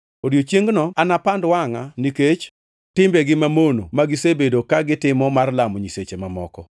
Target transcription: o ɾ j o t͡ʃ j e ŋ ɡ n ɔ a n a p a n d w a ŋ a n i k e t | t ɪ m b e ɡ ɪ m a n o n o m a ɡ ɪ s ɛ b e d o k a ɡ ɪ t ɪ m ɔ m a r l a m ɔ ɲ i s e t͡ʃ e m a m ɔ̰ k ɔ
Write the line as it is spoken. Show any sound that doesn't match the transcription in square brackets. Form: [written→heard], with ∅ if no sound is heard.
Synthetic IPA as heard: o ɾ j o t͡ʃ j e ŋ ɡ n ɔ a n a p a n d w a ŋ a n i k e [t→t͡ʃ] | t ɪ m b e ɡ ɪ m a [n→m] o n o m a ɡ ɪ s [ɛ→e] b e d o k a ɡ ɪ t ɪ m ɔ m a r l a m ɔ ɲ i s e t͡ʃ e m a m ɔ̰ k ɔ